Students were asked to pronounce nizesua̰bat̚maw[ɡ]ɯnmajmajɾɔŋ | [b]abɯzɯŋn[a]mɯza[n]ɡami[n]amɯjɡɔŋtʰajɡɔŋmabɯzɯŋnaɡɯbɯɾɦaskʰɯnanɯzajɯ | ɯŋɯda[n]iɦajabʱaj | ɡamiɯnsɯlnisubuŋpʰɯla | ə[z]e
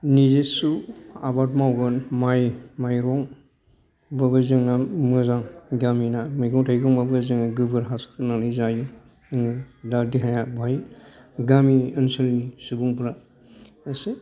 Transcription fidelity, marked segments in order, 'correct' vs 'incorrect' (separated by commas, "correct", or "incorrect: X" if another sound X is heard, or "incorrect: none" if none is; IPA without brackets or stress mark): correct, correct, correct, incorrect: ŋ, correct, incorrect: d, incorrect: s